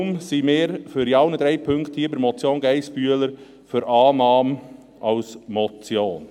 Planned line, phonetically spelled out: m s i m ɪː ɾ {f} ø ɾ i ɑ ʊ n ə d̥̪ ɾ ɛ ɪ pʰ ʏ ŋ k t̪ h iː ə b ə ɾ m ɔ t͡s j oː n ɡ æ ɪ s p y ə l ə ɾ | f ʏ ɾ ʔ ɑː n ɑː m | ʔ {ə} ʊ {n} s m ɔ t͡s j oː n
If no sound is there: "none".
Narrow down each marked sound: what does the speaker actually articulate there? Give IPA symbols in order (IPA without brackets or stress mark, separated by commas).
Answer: f, ɑ, none